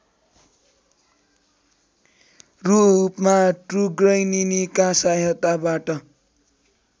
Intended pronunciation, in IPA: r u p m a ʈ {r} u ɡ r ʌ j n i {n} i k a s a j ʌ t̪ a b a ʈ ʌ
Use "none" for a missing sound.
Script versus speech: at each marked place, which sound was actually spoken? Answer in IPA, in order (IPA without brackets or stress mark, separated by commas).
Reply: r, n